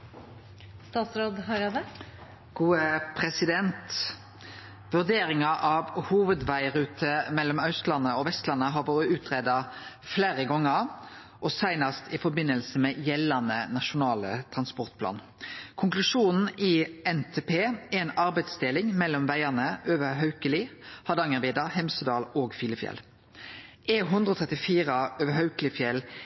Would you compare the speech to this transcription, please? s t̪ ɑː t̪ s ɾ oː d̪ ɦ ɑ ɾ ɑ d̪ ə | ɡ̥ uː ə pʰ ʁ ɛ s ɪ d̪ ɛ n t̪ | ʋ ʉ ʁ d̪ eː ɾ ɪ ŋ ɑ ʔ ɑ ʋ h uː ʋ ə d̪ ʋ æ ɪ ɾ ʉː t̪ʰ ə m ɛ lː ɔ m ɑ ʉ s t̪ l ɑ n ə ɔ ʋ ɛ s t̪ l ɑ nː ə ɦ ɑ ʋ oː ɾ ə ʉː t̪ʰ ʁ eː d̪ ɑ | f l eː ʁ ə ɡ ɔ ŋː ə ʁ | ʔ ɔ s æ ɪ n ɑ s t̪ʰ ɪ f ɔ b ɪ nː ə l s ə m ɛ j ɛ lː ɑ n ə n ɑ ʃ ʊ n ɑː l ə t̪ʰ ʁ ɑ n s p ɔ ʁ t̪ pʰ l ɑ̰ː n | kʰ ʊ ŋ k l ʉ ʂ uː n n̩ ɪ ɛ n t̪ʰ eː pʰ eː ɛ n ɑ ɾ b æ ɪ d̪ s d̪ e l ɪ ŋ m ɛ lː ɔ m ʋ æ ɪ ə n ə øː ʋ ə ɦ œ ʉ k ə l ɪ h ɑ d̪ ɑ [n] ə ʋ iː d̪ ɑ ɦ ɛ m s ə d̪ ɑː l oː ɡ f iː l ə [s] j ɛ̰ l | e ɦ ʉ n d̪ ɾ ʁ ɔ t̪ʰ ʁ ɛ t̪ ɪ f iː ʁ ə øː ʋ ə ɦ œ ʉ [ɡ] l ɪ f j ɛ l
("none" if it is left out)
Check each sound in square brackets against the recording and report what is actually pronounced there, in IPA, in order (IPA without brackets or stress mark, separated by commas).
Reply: ŋ, f, k